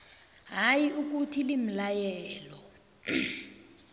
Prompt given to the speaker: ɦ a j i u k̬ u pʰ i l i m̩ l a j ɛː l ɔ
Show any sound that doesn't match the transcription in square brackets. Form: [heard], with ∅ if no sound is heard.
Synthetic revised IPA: ɦ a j i u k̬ u [tʰ] i l i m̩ l a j ɛː l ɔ